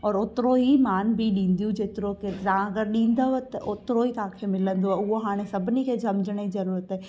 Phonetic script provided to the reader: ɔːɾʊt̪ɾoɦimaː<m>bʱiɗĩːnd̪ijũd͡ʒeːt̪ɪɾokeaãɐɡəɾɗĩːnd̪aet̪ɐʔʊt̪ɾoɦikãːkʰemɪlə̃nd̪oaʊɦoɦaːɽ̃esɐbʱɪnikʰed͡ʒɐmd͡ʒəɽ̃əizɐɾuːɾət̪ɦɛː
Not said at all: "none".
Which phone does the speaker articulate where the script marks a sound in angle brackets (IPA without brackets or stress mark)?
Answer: n